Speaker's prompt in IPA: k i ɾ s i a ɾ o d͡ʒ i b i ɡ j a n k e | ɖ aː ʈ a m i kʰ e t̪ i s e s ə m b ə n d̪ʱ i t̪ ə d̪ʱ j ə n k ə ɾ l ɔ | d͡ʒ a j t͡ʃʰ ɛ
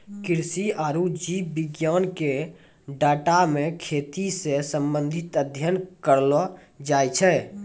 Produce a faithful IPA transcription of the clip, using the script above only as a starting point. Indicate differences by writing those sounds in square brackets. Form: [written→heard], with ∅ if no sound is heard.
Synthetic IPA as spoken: k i ɾ s i a ɾ [o→u] d͡ʒ i b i ɡ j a n k e | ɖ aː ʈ a m [i→e] kʰ e t̪ i s e s ə m b ə n d̪ʱ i t̪ ə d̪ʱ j ə n k ə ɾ l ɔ | d͡ʒ a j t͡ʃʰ ɛ

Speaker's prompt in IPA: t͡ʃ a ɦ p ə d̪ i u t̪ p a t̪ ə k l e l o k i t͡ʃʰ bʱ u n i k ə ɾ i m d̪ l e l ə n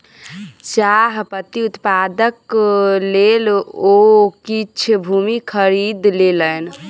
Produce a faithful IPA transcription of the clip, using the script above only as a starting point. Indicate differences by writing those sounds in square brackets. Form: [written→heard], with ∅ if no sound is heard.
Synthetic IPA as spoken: t͡ʃ a ɦ p ə [d̪→t̪] i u t̪ p a [t̪→d̪] ə k l e l o k i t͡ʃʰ bʱ u [n→m] i [k→kʰ] ə ɾ i [m→∅] d̪ l e l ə n

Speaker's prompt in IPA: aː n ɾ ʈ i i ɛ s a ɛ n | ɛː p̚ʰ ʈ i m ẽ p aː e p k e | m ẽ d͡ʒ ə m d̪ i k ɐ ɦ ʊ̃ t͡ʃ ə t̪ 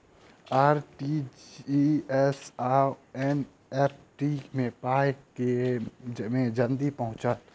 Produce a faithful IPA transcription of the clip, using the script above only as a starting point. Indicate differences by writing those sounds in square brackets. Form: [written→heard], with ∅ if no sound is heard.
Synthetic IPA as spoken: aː [n→∅] ɾ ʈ i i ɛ s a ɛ n | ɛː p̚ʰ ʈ i m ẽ p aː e [p→∅] k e | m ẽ d͡ʒ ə [m→n] d̪ i [k→p] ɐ ɦ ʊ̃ t͡ʃ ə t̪

